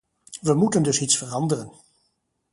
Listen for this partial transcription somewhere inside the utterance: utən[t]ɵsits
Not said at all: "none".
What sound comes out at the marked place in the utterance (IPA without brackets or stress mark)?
d